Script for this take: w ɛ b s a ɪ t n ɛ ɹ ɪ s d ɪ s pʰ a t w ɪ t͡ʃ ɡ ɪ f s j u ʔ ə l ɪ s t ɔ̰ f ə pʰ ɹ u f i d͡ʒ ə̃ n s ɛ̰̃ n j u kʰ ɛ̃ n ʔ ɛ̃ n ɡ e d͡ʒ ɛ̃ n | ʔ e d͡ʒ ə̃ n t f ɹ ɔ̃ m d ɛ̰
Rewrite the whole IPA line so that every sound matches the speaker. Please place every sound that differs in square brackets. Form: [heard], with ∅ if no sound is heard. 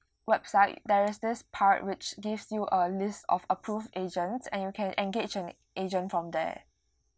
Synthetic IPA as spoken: w ɛ b s a ɪ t [d] ɛ ɹ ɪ s d ɪ s pʰ a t w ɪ t͡ʃ ɡ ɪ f s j u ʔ ə l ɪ s t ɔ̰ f ə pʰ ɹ u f [e] d͡ʒ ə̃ n s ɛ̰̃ n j u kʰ ɛ̃ n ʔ ɛ̃ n ɡ e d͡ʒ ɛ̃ n | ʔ e d͡ʒ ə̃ n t f ɹ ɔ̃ m d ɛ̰